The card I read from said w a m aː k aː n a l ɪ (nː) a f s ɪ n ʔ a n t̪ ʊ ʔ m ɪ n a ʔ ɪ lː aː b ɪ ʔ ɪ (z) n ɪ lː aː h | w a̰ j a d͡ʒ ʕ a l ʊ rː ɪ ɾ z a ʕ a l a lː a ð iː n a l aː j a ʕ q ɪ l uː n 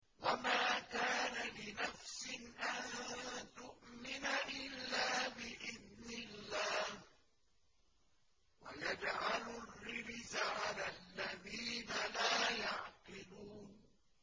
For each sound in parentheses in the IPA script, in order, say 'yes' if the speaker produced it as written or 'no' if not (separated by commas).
no, no